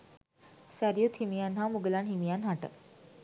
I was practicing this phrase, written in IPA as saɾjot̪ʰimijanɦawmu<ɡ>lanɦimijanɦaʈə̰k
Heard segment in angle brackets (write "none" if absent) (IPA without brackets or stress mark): ɡ